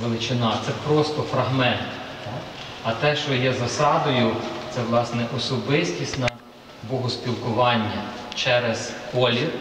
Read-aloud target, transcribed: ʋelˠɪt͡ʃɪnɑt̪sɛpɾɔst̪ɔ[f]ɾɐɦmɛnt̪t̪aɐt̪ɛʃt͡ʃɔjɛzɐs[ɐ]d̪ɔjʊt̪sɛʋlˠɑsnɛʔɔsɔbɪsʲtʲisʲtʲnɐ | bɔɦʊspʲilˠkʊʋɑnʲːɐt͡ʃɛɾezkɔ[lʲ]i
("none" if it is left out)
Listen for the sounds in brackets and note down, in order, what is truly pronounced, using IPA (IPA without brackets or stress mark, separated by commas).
f, ɑ, lʲ